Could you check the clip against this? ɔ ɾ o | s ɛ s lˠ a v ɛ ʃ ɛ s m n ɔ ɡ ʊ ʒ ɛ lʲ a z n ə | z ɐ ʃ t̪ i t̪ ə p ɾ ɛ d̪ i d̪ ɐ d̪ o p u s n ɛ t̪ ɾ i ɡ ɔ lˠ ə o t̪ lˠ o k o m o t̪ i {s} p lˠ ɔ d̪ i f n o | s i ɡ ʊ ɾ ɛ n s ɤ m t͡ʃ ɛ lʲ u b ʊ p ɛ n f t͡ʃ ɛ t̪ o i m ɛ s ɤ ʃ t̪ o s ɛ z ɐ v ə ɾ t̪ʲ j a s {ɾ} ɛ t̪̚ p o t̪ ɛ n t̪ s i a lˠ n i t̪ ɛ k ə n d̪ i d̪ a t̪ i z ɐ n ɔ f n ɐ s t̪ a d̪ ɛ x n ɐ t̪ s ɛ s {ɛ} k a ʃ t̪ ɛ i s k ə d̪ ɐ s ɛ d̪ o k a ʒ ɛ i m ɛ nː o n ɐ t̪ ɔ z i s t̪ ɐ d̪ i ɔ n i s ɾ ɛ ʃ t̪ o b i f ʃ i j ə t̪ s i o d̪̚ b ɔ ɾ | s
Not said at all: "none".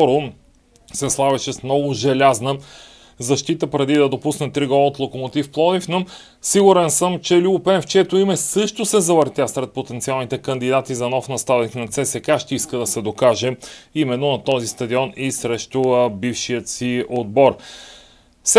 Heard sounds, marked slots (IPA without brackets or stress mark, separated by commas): f, ɾ, ɛ